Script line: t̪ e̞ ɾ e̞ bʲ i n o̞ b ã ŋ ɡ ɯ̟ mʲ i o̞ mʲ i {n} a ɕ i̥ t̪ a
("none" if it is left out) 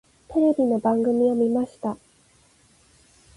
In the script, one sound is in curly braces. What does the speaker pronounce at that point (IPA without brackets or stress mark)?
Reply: m